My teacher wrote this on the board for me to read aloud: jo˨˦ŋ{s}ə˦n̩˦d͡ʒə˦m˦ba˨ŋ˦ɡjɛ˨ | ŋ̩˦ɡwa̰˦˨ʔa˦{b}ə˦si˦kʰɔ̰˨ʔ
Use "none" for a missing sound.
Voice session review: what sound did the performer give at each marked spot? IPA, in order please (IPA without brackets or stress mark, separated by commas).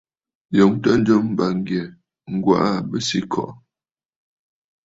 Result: t, b